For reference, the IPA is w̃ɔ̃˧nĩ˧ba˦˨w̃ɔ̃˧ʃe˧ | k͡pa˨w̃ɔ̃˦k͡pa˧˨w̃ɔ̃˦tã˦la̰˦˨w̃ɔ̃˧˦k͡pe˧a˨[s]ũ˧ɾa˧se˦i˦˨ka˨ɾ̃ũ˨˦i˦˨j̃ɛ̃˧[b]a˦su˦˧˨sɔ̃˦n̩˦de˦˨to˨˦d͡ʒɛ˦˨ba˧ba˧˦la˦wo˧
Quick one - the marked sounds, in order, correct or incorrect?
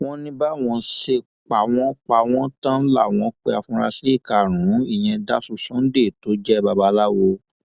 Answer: incorrect: f, incorrect: d

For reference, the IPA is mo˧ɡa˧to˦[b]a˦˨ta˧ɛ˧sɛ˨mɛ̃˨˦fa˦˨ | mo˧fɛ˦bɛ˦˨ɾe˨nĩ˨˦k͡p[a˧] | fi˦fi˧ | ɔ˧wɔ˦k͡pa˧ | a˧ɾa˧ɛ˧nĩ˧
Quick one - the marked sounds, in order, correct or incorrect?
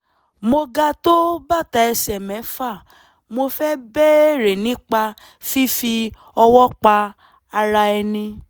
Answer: correct, correct

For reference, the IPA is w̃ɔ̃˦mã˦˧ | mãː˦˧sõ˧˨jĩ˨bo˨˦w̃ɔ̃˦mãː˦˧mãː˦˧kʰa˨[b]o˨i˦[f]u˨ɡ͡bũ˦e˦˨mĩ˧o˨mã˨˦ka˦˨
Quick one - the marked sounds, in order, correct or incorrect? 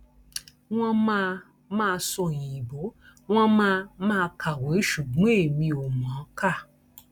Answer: incorrect: w, incorrect: ʃ

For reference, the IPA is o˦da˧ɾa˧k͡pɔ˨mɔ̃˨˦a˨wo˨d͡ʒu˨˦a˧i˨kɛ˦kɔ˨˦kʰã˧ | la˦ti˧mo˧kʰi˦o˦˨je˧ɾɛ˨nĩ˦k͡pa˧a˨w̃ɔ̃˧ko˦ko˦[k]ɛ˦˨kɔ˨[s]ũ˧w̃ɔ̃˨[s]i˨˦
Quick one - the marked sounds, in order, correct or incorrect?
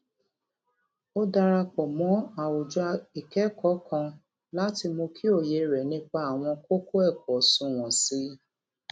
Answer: incorrect: none, correct, correct

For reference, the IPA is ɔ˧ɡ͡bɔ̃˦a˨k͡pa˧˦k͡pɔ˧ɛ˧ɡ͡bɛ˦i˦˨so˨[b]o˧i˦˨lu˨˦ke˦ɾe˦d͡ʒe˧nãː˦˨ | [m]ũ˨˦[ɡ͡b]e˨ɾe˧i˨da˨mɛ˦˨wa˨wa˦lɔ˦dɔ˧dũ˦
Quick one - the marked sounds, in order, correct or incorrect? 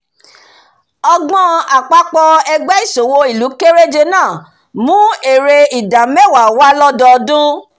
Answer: incorrect: w, correct, incorrect: none

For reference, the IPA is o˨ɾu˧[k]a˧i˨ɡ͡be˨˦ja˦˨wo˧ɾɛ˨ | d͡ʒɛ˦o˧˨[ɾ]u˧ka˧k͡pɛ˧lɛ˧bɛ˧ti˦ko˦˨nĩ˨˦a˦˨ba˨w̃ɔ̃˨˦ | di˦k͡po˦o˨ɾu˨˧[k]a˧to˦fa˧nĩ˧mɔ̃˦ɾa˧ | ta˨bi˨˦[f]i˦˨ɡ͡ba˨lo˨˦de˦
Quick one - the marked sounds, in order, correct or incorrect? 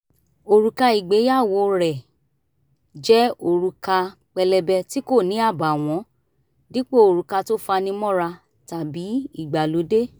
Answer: correct, correct, correct, incorrect: none

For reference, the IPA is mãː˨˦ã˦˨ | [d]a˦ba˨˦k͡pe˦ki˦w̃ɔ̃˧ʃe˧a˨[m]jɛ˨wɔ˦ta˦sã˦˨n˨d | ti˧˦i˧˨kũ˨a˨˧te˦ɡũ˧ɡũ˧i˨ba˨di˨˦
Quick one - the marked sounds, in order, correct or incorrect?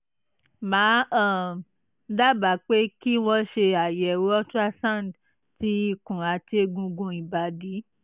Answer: correct, incorrect: none

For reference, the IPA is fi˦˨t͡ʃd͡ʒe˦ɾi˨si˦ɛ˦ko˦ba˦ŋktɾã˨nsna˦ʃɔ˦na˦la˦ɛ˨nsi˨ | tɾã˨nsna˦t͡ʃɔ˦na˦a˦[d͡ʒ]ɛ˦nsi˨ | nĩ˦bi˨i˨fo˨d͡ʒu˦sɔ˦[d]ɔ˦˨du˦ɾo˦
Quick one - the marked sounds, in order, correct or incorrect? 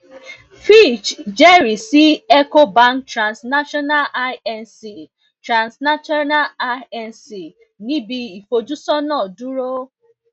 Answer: incorrect: none, incorrect: n

